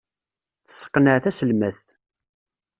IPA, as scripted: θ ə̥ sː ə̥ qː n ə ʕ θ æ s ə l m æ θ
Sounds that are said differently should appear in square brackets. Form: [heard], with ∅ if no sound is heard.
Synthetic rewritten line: θ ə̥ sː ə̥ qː n ə ʕ θ æ s ə l m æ θ